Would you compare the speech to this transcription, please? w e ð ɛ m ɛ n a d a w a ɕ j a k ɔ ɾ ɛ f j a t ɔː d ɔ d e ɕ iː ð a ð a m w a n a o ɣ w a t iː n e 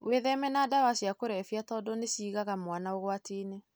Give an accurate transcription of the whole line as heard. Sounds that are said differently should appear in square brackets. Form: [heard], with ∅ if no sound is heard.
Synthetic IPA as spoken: w e ð ɛ m ɛ n a d a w a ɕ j a k [o] ɾ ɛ f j a t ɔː d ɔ [n] e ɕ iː [ɣ] a [ɣ] a m w a n a o ɣ w a t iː n e